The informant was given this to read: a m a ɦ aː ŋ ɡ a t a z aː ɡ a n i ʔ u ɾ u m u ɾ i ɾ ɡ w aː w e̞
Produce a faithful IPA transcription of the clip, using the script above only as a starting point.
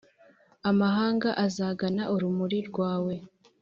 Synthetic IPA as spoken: a m a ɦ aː ŋ ɡ a ʔ a z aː ɡ a n a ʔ u ɾ u m u ɾ i ɾ ɡ w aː w e̞